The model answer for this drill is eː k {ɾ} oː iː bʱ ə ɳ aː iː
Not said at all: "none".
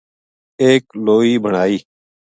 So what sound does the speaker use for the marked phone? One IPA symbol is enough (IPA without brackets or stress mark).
l